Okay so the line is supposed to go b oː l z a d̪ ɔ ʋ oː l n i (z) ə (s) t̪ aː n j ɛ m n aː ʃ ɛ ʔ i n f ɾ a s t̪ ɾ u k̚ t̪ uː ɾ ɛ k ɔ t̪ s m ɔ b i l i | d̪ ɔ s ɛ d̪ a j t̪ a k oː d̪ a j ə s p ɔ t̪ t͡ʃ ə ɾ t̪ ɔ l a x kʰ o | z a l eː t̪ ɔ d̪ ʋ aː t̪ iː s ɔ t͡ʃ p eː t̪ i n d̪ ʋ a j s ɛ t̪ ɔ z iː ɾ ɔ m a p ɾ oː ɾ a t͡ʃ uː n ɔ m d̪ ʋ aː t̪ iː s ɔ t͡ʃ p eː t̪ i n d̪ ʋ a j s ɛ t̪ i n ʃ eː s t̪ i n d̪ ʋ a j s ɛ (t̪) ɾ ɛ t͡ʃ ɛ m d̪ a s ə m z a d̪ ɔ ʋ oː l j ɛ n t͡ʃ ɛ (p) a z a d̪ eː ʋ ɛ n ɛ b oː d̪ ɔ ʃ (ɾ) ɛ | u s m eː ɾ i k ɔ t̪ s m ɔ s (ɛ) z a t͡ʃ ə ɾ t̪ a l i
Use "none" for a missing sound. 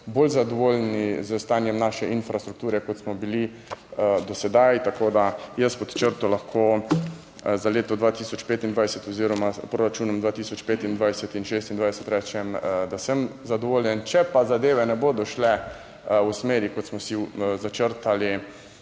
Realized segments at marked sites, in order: z, s, t̪, p, l, i

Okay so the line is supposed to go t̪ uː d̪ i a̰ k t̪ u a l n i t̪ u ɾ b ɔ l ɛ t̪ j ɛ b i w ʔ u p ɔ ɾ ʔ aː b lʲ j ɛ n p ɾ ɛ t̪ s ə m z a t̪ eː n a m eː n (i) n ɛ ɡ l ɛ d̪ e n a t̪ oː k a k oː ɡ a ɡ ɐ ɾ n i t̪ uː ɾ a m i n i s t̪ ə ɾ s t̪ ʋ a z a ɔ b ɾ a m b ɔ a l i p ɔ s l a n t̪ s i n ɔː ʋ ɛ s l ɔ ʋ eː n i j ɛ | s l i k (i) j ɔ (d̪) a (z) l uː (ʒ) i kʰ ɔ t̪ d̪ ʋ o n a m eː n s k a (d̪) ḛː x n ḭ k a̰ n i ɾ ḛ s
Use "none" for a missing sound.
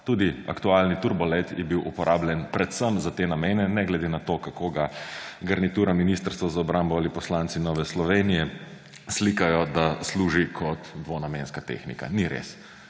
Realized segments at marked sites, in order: ɛ, a, d̪, s, ʒ, t̪

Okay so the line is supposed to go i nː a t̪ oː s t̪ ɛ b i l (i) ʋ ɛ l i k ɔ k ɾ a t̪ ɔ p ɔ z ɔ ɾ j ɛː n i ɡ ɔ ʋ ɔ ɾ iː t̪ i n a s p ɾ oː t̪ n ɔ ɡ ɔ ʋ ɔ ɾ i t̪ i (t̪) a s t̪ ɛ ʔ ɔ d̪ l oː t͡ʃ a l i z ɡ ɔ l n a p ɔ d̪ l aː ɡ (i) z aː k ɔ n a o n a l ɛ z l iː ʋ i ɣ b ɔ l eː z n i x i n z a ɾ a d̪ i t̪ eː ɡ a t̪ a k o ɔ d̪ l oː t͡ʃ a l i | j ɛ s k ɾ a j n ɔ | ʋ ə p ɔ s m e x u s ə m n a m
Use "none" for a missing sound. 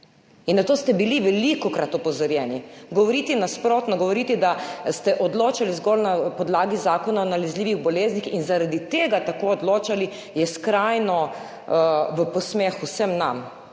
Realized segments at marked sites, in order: i, d̪, i

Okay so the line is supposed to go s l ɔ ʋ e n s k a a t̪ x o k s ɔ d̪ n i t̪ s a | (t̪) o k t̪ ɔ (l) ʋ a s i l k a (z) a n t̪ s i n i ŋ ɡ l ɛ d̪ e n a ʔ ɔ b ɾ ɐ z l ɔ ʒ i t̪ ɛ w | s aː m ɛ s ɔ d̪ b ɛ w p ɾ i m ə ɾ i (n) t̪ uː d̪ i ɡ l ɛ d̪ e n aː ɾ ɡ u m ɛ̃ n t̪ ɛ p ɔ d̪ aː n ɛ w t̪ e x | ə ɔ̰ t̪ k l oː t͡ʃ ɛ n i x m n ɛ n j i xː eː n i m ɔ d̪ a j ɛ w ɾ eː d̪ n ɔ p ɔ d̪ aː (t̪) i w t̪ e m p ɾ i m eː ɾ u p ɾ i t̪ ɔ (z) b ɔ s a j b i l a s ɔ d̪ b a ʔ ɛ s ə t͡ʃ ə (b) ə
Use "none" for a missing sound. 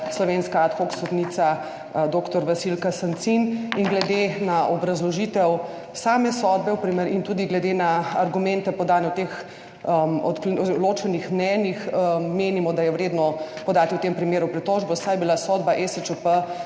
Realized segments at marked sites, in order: d̪, ɾ, s, n, t̪, ʒ, p

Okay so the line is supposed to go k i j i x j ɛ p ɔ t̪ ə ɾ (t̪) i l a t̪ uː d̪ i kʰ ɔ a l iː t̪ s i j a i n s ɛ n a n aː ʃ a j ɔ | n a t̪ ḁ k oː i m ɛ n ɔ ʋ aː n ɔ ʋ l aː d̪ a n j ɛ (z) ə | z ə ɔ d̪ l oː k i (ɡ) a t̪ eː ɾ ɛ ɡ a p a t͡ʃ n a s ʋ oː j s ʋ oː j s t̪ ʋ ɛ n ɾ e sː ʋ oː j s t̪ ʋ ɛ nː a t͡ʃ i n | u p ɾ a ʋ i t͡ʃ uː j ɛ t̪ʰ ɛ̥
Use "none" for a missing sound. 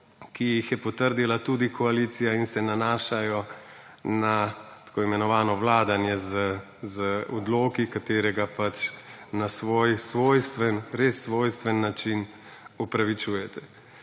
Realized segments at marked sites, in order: d̪, z, k

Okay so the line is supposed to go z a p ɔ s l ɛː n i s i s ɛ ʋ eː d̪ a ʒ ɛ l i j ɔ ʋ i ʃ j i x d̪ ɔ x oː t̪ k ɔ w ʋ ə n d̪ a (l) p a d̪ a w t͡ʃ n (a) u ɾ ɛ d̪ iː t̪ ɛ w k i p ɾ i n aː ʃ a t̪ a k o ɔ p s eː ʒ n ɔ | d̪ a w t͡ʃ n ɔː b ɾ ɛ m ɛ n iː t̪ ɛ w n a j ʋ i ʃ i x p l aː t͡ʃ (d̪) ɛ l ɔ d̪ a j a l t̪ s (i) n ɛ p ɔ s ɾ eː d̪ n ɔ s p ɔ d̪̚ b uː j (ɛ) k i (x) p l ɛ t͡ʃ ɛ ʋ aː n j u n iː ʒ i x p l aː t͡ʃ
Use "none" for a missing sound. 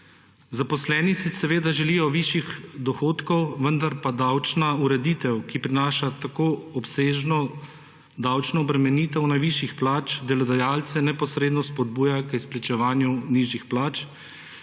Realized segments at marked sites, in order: ɾ, a, d̪, ɛ, a, s

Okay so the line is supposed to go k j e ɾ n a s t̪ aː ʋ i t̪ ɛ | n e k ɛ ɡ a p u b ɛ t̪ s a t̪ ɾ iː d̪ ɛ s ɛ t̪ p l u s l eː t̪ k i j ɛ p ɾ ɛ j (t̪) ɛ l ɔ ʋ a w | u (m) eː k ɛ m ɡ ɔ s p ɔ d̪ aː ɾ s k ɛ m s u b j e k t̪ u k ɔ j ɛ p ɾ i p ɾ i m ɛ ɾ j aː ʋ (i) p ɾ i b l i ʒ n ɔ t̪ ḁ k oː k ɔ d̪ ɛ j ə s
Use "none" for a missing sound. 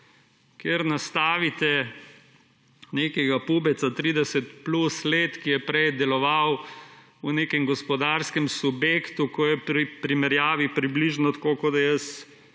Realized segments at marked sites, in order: d̪, n, i

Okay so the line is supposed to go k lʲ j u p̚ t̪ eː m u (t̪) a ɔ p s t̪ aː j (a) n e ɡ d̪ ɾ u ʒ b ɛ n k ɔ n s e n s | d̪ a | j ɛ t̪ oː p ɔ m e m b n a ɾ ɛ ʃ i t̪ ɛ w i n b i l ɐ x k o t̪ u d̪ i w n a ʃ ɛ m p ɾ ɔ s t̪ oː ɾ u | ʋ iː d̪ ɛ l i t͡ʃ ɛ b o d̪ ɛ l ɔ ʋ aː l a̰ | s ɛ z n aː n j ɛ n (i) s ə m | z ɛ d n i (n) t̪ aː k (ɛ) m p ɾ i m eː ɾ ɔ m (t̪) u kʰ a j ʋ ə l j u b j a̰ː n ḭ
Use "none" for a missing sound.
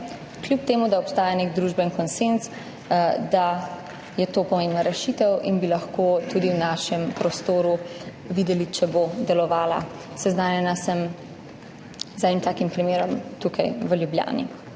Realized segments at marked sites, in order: d̪, a, a, m, i, t̪

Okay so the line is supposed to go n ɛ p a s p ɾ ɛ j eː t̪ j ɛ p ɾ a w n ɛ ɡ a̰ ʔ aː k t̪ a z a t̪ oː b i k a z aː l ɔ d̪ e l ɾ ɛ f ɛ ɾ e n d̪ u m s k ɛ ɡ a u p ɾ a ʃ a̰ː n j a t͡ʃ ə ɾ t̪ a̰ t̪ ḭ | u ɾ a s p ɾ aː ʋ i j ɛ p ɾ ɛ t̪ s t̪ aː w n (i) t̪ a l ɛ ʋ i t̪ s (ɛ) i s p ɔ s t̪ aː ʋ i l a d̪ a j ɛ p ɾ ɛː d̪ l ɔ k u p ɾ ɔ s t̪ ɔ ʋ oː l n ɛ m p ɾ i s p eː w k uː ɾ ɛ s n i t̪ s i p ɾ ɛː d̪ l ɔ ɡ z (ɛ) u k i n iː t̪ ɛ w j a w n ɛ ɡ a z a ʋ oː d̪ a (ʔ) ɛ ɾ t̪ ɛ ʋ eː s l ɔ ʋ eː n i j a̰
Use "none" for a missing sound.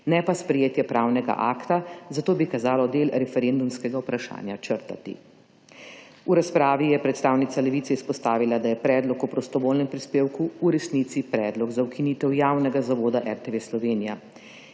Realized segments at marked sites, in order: i, ɛ, a, ʔ

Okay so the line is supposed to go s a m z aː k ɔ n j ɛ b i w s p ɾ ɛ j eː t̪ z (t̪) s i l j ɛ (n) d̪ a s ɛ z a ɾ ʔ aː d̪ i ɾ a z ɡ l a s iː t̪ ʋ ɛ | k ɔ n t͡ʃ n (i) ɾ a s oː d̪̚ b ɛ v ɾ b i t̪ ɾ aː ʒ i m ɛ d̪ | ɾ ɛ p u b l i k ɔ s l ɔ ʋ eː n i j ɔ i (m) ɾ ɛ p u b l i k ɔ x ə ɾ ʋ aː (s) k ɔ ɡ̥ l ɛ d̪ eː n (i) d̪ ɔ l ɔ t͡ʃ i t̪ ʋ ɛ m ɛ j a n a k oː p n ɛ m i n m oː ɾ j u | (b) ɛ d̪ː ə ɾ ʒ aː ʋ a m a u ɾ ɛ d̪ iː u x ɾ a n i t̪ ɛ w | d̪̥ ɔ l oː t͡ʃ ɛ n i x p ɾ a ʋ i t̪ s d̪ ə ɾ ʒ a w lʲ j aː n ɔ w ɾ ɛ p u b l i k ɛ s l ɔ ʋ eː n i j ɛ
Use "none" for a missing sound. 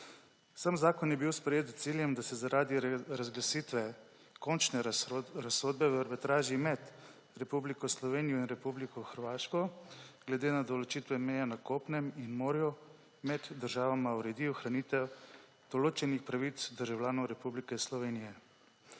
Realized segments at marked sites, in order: t̪, m, ɛ, n, ʃ, a, m

